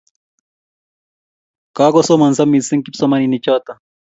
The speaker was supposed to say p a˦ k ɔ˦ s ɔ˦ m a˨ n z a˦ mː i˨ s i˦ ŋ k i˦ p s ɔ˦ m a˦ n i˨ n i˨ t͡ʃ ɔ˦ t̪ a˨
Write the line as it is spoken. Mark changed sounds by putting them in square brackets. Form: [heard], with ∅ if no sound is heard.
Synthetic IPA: [k] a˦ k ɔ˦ s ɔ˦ m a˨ n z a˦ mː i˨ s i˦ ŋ k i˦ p s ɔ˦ m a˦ n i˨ n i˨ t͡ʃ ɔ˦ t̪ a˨